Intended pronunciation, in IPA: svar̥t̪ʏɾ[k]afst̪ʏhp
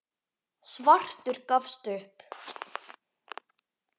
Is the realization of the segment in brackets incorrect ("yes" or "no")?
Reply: no